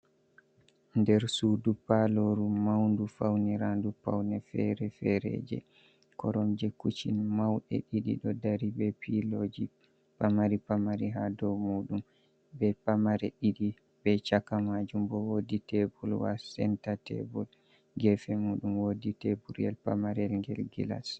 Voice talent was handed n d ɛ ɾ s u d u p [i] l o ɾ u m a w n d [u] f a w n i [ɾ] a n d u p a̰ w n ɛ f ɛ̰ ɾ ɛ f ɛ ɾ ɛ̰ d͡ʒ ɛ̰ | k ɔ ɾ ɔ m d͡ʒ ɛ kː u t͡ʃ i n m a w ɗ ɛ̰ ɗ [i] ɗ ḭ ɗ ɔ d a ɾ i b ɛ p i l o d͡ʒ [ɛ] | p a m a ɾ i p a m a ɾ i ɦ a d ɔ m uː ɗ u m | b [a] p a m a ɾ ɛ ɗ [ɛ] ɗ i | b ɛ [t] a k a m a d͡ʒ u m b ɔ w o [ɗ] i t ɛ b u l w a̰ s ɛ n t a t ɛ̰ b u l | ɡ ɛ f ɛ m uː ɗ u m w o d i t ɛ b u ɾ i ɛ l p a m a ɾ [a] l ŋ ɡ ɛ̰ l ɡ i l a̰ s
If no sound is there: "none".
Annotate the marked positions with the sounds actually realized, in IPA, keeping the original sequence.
a, u, ɾ, i, i, ɛ, i, t͡ʃ, d, ɛ

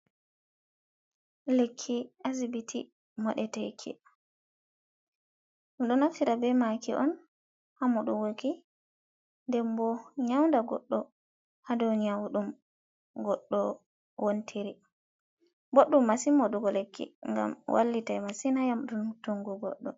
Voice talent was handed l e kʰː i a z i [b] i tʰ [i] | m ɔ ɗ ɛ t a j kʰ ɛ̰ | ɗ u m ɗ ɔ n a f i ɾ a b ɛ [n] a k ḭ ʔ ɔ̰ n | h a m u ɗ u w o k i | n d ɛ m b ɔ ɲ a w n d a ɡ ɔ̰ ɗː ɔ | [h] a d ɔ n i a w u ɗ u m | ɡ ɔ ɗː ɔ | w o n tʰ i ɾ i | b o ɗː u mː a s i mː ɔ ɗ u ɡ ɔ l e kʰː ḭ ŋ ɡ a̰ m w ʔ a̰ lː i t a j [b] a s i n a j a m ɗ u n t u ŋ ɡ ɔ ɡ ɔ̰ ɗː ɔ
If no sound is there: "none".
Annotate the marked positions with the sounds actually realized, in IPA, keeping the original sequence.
b, i, m, h, m

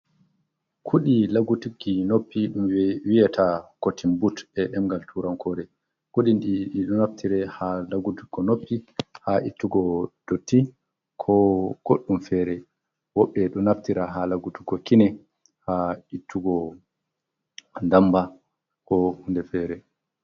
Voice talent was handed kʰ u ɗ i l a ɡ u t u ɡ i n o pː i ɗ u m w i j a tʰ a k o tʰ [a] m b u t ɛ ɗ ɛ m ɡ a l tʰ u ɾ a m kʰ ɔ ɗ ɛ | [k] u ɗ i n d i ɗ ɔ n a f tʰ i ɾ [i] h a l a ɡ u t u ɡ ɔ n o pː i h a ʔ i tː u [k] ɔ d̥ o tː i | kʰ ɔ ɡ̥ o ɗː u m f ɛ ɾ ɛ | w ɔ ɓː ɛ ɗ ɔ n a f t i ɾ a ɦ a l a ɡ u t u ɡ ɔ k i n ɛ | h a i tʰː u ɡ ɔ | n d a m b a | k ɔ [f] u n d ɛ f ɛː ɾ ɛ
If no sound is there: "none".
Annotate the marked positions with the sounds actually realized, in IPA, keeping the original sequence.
i, k, ɛ, ɡ, h

